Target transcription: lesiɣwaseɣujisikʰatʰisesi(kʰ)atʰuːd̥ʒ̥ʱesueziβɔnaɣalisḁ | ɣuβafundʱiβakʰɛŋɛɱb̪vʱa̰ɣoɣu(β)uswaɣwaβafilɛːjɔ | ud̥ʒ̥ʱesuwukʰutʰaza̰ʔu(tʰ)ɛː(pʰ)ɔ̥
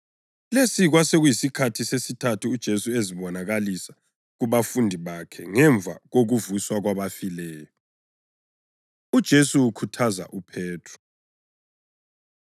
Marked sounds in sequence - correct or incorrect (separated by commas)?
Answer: incorrect, incorrect, incorrect, incorrect